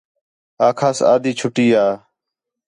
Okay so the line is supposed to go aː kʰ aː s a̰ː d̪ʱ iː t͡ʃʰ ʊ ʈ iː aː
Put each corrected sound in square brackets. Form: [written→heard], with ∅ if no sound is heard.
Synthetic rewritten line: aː kʰ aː s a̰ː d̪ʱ iː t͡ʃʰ ʊ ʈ iː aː